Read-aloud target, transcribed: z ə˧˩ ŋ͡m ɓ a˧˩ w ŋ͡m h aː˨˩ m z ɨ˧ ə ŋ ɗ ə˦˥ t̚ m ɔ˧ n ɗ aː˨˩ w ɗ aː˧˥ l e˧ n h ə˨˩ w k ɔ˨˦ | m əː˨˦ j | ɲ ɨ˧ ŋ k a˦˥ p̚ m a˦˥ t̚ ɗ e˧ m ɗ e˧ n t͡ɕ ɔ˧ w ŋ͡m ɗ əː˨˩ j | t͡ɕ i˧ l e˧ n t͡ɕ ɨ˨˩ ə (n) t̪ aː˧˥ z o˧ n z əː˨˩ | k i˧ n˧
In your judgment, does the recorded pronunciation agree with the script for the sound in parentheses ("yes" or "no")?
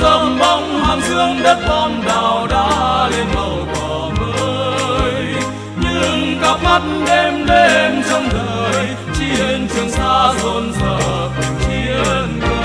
no